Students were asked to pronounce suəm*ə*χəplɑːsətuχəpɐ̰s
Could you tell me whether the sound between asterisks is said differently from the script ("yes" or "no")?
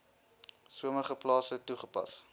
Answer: no